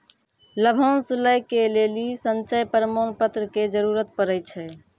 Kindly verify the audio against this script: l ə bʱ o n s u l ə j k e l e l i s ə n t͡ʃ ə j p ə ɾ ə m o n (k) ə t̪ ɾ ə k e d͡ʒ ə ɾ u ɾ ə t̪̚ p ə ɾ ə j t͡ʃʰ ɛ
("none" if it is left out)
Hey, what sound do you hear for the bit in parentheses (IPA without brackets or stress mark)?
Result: p